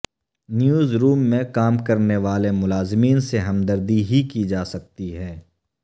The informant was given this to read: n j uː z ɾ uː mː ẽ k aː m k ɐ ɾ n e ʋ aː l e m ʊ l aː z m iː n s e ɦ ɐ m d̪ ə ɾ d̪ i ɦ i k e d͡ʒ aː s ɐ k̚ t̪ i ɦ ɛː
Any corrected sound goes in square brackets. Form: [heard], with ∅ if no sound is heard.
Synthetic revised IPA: n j uː z ɾ uː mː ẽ k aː m k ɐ ɾ n e ʋ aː l e m ʊ l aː z m iː n s e ɦ ɐ m d̪ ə ɾ d̪ i ɦ i k [i] d͡ʒ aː s ɐ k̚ t̪ i ɦ ɛː